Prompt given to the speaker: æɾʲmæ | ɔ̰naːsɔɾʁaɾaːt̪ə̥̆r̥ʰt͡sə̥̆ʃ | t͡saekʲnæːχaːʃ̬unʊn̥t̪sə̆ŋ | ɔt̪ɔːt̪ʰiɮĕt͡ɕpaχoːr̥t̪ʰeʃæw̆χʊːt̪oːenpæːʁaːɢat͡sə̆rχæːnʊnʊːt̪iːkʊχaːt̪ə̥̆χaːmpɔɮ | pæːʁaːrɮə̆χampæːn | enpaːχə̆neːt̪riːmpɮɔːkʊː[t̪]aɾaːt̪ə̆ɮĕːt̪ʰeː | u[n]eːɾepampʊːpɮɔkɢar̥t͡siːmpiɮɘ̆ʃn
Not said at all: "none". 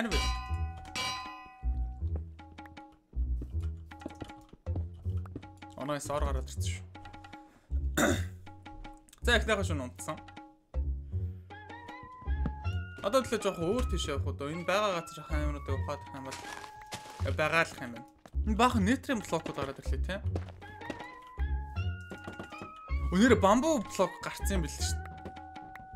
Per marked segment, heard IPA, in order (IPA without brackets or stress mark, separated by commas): t̪, n